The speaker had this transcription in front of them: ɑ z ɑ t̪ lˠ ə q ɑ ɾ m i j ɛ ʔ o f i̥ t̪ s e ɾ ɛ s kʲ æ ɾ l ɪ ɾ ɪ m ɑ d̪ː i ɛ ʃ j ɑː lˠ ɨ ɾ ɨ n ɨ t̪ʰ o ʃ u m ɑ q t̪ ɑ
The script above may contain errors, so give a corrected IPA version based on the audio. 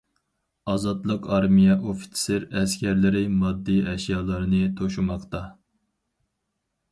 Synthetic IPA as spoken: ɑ z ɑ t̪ lˠ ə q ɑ ɾ m i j ɛ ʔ o f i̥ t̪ s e ɾ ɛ s kʲ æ ɾ l ɪ ɾ ɪ m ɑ d̪ː i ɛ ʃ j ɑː lˠ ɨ ɾ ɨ n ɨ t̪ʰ o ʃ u m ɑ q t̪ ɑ